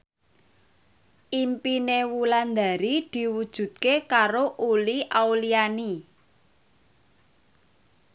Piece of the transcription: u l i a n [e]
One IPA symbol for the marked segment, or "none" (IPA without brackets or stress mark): i